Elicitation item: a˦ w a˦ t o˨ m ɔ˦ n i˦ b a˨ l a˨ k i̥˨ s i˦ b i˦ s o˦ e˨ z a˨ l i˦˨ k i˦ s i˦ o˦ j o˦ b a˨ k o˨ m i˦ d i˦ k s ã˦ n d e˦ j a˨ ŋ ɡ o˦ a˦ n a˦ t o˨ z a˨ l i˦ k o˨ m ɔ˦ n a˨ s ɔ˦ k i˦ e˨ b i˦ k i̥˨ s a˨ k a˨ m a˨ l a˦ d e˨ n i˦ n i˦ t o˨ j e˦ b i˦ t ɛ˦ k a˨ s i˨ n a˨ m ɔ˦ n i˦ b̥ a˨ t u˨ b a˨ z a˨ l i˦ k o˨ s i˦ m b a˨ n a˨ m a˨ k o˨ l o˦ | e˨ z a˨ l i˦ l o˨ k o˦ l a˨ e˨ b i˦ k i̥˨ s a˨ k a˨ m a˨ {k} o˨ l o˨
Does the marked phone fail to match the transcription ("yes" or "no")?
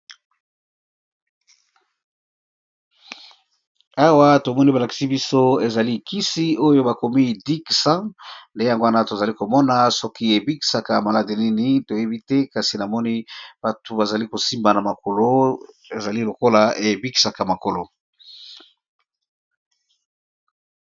no